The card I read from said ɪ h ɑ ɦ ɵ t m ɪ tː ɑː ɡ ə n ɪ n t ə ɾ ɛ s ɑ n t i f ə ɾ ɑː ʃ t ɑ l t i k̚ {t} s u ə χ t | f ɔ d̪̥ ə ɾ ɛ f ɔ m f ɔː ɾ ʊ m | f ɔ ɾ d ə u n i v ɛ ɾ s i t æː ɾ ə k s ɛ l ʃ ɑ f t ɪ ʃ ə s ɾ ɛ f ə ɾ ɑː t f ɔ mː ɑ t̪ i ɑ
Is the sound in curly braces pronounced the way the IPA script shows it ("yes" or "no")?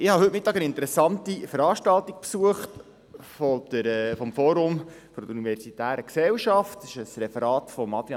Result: no